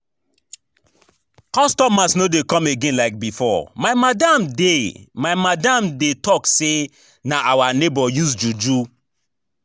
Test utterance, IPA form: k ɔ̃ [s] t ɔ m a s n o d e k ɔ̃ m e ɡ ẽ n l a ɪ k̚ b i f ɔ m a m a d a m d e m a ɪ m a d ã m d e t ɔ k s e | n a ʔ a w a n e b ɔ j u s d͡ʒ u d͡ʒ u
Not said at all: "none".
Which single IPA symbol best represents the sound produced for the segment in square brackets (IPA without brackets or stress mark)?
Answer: s